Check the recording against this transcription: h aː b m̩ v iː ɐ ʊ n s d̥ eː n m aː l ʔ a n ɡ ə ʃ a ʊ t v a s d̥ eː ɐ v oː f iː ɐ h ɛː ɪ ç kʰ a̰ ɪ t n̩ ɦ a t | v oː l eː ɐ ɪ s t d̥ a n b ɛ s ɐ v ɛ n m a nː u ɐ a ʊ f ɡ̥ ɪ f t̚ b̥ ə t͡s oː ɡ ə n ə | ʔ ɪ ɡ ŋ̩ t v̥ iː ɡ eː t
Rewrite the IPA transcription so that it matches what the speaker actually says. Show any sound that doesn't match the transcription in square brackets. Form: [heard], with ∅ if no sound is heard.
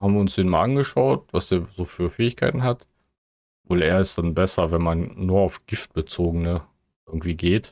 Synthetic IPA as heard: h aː b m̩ v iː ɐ ʊ n s d̥ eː n m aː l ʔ a n ɡ ə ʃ a ʊ t v a s d̥ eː ɐ [z] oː f [yː] ɐ [f] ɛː ɪ ç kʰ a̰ ɪ t n̩ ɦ a t | v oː l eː ɐ ɪ s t d̥ a n b ɛ s ɐ v ɛ n m a nː [uː] ɐ a ʊ f ɡ̥ ɪ f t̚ b̥ ə t͡s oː ɡ ə n ə | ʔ ɪ ɡ ŋ̩ t v̥ iː ɡ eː t